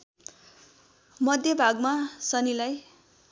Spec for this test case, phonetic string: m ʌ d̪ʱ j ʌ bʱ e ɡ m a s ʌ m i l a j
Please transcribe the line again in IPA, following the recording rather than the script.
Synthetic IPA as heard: m ʌ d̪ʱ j ʌ bʱ a ɡ m a s ʌ n i l a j